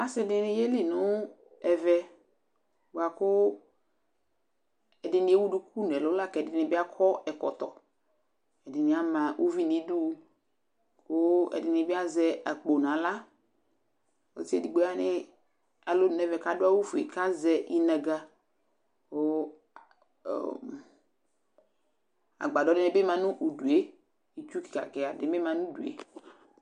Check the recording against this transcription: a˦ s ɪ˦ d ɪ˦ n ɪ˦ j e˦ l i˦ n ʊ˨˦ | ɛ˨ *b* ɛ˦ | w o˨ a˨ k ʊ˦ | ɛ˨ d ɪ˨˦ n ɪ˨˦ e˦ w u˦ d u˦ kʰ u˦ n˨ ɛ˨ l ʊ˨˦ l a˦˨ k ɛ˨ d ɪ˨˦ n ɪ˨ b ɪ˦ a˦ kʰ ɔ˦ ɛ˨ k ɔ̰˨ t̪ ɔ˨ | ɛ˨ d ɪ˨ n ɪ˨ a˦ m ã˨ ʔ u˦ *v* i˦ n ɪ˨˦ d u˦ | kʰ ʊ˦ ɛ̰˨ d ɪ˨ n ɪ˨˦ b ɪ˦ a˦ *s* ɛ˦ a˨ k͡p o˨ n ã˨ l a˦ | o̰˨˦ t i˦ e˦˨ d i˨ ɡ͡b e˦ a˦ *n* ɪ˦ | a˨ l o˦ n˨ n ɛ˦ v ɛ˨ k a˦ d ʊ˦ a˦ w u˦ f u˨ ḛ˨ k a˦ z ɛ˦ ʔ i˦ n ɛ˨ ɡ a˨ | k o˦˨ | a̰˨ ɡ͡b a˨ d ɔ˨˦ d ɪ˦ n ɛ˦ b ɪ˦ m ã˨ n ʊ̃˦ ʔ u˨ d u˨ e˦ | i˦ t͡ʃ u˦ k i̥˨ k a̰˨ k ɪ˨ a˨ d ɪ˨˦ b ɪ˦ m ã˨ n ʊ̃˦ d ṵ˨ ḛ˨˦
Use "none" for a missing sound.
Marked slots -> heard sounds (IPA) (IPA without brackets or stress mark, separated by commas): v, v, z, n